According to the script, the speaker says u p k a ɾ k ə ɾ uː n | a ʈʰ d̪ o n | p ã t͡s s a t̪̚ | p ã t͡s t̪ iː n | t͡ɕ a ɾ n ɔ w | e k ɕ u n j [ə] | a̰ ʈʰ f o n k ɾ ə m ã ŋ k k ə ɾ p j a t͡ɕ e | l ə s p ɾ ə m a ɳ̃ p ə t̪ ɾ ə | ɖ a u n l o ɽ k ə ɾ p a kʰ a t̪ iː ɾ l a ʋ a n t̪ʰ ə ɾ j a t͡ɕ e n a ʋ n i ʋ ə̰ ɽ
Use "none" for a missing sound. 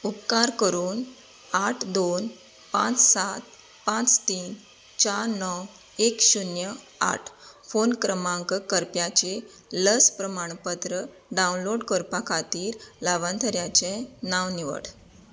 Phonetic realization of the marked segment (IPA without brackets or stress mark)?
ə